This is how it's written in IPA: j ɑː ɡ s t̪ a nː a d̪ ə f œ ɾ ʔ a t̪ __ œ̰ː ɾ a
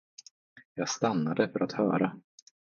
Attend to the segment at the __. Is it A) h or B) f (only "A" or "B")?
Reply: A